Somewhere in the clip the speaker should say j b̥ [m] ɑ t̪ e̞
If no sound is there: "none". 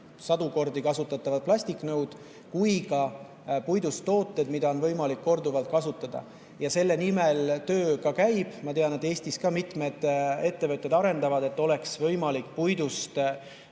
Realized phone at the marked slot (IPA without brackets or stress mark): m